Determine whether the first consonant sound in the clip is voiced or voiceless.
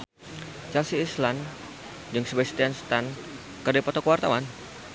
voiceless